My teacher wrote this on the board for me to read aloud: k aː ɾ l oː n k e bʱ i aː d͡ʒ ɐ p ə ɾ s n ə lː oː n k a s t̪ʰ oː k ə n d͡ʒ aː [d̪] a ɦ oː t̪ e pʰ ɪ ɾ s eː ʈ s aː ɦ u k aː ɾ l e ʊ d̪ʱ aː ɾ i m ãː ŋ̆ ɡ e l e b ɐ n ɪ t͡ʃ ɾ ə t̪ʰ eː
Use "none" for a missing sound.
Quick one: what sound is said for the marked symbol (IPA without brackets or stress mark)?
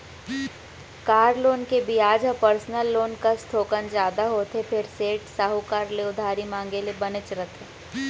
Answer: d̪